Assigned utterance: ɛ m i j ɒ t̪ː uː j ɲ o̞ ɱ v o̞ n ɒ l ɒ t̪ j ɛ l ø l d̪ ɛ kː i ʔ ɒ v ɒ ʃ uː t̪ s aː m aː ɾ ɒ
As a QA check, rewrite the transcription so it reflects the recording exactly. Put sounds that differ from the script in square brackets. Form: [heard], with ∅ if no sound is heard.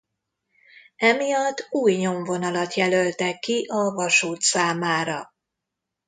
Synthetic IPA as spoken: ɛ m i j ɒ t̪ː uː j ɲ o̞ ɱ v o̞ n ɒ l ɒ t̪ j ɛ l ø l [t̪] ɛ kː i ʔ ɒ v ɒ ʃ uː t̪ s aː m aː ɾ ɒ